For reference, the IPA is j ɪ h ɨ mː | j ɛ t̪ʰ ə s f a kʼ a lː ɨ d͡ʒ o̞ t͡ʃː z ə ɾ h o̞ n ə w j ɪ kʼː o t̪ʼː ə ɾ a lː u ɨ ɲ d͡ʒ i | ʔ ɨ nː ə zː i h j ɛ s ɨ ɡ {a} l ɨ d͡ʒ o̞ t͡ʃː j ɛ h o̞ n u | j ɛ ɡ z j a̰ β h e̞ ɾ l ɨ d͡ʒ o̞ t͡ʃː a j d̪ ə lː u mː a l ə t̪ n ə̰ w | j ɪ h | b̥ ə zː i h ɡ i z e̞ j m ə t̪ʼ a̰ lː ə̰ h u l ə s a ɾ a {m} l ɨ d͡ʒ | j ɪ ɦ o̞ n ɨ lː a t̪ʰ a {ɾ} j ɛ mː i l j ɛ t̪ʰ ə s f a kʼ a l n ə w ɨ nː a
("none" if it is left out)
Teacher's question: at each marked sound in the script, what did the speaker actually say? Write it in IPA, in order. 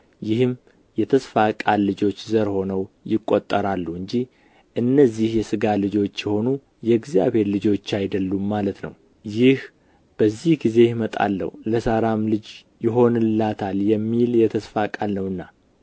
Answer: a, m, l

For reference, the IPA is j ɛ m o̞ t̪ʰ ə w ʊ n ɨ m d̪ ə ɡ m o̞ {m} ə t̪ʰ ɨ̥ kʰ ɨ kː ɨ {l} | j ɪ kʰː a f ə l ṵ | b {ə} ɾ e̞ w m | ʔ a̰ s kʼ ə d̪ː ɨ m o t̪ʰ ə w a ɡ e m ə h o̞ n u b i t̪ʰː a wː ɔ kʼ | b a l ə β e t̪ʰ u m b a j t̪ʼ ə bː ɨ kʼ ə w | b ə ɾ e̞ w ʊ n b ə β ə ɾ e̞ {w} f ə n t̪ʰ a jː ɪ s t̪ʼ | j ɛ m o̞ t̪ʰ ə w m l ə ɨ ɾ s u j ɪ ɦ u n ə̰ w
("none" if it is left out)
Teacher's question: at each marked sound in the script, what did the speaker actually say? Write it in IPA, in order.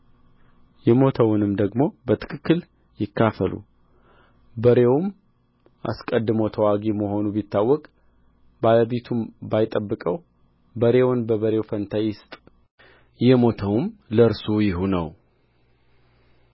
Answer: b, l, ə, w

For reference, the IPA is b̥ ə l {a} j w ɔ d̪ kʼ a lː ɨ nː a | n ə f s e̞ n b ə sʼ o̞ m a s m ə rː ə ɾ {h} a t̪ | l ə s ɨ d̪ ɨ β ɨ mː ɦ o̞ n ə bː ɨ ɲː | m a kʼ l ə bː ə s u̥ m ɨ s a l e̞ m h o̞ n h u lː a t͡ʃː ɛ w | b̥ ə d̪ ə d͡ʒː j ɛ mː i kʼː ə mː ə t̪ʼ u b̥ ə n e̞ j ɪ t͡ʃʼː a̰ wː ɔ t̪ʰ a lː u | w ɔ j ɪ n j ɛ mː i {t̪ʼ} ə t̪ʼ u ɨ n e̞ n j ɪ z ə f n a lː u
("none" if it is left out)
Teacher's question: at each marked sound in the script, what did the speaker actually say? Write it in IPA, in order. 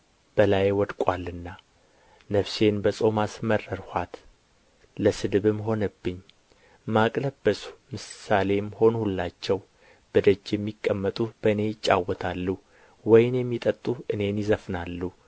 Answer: a, h, t̪ʼ

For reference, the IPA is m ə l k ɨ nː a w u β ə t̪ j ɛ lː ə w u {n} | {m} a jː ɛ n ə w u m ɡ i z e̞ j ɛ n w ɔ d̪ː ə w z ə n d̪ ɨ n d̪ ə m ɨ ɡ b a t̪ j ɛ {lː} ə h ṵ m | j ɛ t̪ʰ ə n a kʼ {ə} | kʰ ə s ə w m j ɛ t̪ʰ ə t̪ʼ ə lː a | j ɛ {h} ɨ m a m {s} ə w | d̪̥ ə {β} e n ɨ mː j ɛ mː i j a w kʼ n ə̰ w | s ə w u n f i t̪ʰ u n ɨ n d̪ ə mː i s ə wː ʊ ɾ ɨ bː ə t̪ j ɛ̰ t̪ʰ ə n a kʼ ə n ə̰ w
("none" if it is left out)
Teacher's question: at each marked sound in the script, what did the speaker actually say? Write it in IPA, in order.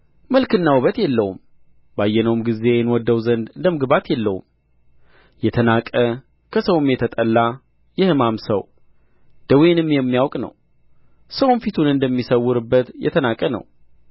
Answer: m, b, lː, ə, h, s, w

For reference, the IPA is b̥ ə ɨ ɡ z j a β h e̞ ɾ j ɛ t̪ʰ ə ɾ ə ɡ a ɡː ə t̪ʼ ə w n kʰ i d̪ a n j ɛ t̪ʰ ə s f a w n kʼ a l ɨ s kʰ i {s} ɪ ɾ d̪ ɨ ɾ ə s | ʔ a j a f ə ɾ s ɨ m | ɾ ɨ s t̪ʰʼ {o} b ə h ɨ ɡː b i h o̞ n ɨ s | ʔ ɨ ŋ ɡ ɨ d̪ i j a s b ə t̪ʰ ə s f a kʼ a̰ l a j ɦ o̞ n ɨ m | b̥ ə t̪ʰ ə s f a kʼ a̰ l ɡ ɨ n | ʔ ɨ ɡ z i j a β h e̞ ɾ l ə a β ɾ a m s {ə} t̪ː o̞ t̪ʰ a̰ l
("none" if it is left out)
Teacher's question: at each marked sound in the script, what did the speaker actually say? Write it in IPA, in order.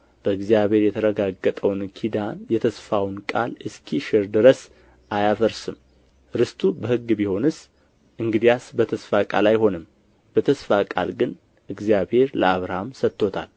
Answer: ʃ, u, ə

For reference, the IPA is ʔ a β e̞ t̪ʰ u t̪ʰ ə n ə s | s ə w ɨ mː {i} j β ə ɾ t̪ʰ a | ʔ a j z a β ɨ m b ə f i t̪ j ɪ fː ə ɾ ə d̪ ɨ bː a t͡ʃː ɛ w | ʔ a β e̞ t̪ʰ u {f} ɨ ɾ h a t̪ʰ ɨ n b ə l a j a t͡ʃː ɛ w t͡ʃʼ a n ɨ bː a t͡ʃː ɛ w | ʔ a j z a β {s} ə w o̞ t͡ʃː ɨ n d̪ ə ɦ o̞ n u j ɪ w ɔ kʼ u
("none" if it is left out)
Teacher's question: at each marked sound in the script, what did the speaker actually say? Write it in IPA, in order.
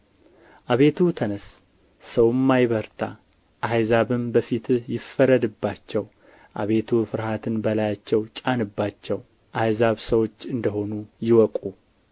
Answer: a, f, s

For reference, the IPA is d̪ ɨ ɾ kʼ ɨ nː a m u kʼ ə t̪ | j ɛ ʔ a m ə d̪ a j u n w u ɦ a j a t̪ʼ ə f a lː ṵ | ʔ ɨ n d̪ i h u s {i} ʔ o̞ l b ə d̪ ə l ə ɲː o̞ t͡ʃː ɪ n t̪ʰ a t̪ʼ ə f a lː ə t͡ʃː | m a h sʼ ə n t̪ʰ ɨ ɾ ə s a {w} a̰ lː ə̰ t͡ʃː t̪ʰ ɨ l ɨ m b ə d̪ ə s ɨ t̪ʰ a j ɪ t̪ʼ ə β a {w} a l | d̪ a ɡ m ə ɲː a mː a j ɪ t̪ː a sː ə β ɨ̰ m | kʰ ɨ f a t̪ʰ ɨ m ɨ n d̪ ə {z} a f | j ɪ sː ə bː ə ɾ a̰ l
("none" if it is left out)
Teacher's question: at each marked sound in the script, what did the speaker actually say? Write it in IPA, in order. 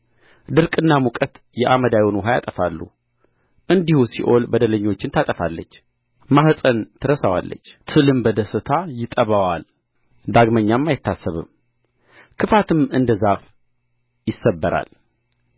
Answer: i, w, w, z

